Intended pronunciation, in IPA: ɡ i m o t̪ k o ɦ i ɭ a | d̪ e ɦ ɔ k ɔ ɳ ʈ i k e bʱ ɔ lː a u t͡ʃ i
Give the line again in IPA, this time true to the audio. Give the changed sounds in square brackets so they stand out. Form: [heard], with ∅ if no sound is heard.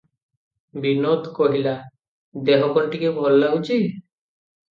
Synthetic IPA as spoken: [b] i [n] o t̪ k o ɦ i [l] a | d̪ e ɦ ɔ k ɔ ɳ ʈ i k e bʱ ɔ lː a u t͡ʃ i